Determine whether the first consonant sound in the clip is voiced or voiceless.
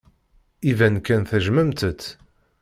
voiced